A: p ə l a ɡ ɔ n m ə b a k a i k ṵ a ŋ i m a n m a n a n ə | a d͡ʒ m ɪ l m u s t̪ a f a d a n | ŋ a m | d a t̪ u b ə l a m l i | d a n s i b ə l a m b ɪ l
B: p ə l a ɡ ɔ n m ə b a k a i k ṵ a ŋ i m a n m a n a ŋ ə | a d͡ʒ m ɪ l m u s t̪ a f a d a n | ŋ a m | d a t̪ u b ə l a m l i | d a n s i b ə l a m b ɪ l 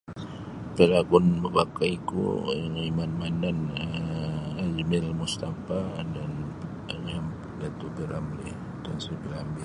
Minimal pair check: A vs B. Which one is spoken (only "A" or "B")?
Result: A